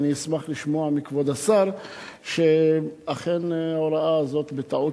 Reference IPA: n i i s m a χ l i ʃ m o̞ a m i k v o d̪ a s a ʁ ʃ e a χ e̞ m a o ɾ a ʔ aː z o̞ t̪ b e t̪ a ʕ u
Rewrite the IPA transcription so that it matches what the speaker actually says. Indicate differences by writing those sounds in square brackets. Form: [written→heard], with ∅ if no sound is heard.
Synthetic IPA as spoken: n i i s m a χ l i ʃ m o̞ a m i k v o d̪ a s a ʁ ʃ e a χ e̞ [m→n] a o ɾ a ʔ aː z o̞ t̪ b e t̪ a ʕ u

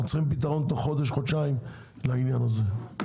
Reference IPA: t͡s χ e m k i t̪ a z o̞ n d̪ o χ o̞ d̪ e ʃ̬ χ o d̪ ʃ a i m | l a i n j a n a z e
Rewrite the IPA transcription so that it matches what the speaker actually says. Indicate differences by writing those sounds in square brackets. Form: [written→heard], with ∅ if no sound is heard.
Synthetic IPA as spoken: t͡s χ [e→i] m [k→p] i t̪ a [z→ʁ] o̞ n [d̪→t̪] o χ o̞ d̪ e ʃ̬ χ o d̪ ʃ a i m | l a i n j a n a z e

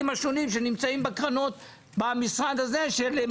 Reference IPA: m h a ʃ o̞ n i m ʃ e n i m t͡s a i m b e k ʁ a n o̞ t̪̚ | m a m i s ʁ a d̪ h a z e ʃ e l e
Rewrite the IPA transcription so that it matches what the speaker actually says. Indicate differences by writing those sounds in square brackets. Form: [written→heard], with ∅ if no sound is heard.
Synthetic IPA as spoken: m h a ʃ o̞ n i m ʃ e n i m t͡s a i m b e k ʁ a n o̞ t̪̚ | [m→b] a m i s ʁ a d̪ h a z e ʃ e l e

